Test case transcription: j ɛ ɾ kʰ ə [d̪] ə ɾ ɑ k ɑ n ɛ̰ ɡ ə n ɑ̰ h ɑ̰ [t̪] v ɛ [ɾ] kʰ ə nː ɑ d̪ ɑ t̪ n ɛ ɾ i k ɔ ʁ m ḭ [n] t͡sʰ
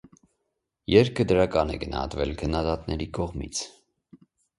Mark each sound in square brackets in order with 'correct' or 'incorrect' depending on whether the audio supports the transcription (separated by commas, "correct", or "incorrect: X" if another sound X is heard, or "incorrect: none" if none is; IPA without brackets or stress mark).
correct, correct, incorrect: l, incorrect: none